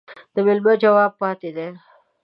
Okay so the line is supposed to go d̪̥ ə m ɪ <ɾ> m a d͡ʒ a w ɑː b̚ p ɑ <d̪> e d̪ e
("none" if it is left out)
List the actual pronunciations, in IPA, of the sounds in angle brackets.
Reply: l, t̪

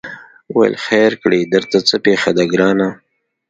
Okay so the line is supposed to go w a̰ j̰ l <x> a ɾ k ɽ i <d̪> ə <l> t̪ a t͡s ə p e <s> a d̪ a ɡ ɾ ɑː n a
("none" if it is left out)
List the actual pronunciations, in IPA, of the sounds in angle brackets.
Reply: x, d̪, ɾ, x

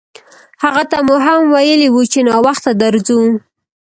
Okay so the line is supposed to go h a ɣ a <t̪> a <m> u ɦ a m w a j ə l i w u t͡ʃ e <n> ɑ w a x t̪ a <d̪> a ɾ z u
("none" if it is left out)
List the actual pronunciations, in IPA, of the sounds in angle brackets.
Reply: t̪, m, n, d̪

